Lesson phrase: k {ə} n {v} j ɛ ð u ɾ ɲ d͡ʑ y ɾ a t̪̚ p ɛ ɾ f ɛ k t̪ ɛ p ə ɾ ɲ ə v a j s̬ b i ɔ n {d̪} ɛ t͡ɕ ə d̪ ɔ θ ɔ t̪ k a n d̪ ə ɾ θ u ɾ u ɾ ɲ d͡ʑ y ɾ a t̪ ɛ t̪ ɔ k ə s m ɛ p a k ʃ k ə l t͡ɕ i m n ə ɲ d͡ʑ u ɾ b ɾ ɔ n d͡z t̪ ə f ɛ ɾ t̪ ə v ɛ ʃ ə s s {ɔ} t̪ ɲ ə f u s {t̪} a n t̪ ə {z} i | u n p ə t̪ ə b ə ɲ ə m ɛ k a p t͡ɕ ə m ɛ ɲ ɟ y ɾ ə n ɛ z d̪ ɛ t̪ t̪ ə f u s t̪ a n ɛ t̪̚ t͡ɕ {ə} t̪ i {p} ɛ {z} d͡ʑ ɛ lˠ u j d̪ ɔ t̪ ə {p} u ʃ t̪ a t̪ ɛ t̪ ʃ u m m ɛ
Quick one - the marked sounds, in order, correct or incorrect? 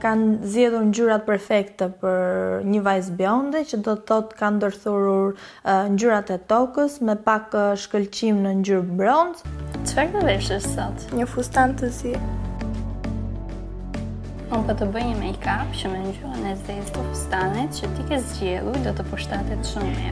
incorrect: a, incorrect: z, correct, correct, correct, correct, correct, incorrect: k, correct, correct

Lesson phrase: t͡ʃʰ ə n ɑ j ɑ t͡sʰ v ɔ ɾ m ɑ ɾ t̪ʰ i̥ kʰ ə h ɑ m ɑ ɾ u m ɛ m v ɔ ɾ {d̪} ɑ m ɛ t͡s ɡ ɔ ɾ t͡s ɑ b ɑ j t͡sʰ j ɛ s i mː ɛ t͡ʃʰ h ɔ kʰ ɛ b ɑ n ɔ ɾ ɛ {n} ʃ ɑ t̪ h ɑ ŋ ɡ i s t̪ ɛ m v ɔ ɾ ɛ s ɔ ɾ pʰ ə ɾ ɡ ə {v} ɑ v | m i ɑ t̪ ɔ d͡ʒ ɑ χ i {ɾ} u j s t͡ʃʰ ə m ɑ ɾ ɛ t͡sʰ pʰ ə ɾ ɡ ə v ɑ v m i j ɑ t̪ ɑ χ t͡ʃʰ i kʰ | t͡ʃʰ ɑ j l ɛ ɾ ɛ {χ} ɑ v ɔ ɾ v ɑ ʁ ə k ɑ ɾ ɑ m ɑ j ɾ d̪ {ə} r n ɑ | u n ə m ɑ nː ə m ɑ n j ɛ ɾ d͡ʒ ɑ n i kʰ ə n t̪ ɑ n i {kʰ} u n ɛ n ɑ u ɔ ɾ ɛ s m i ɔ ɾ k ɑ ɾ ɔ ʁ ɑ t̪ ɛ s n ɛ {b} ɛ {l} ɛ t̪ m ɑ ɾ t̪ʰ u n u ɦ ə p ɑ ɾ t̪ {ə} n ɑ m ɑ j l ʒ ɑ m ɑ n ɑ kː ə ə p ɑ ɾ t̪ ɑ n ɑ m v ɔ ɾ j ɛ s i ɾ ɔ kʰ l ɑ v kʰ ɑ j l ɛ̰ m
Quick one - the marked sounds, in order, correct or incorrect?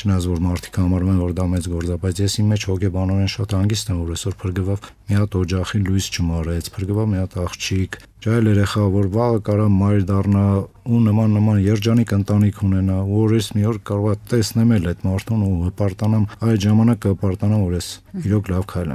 correct, correct, correct, incorrect: l, correct, incorrect: ɑ, correct, incorrect: m, correct, incorrect: ɑ

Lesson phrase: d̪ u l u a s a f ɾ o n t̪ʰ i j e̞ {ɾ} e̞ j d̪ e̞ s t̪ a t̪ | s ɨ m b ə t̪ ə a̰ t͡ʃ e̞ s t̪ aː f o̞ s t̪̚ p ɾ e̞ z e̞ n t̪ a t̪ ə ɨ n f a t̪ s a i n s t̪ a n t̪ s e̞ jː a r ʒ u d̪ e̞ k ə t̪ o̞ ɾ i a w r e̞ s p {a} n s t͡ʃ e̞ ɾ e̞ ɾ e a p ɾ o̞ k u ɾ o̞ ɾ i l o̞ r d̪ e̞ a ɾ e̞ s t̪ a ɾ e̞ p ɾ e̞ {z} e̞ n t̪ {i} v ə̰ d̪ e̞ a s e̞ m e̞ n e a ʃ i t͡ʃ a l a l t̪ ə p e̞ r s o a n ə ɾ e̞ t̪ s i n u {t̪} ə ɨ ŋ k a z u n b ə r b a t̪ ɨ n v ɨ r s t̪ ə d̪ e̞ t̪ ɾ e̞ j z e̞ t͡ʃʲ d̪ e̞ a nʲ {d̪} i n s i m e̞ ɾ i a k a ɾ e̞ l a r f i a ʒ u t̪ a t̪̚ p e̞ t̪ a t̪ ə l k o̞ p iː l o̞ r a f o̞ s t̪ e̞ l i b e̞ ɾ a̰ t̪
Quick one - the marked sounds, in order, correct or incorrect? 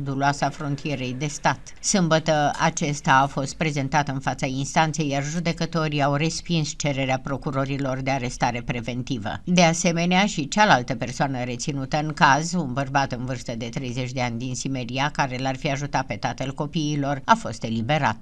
correct, incorrect: i, incorrect: v, correct, correct, correct

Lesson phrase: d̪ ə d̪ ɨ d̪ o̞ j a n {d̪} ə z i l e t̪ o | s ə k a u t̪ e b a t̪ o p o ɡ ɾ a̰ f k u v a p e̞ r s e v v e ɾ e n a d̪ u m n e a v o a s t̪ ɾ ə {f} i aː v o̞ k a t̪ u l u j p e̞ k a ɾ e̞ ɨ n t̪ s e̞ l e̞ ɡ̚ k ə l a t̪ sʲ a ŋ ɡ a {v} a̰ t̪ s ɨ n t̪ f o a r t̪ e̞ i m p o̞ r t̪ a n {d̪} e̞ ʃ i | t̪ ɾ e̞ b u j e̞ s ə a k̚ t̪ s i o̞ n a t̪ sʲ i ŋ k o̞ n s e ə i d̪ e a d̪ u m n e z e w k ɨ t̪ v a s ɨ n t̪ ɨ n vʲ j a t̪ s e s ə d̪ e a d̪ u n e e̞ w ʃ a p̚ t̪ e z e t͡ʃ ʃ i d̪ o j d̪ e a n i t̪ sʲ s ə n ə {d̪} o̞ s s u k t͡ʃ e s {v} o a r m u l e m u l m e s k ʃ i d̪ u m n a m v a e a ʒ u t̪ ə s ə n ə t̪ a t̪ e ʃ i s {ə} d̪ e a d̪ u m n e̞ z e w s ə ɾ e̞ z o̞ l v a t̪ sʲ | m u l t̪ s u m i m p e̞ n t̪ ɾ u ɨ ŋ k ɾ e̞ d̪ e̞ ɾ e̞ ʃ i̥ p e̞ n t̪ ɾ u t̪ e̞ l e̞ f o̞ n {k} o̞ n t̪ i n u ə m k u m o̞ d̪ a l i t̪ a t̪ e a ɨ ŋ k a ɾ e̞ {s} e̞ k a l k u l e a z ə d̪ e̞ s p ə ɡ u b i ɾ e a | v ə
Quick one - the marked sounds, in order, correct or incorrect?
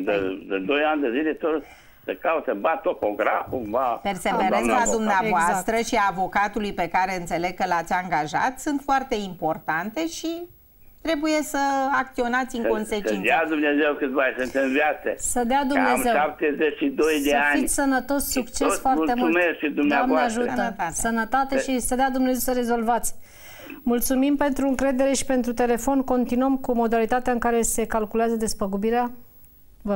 correct, incorrect: ʃ, incorrect: ʒ, incorrect: t̪, incorrect: t̪, incorrect: f, correct, correct, correct

